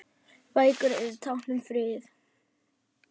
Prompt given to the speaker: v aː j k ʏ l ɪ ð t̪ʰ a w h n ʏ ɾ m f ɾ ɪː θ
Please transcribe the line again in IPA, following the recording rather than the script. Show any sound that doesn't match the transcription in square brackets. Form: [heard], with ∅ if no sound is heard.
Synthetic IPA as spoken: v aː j k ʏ [ɾ] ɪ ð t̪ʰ a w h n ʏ [∅] m f ɾ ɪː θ